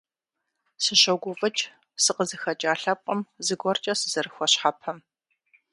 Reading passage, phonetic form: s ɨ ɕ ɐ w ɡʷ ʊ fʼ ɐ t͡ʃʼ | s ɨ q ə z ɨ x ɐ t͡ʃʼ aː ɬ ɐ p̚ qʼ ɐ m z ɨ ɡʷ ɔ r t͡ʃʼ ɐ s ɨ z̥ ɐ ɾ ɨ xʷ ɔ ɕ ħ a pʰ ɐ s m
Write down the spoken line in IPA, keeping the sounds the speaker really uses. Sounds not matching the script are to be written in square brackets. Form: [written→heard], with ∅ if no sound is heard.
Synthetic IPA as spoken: s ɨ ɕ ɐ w ɡʷ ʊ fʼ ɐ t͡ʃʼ | s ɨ q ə z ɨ x ɐ t͡ʃʼ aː ɬ ɐ p̚ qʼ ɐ m z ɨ ɡʷ ɔ r t͡ʃʼ ɐ s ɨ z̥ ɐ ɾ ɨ xʷ ɔ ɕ ħ a pʰ ɐ [s→∅] m